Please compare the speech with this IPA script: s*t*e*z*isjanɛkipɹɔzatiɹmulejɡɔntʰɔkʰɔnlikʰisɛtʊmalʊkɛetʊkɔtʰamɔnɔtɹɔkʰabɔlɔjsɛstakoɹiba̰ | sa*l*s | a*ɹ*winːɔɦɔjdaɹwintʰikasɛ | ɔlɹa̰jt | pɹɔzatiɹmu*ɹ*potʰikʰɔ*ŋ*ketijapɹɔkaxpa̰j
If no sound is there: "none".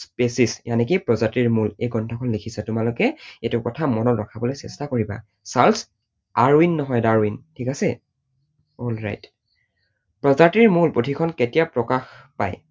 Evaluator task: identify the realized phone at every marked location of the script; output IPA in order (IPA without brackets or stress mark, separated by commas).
p, s, l, ɹ, l, n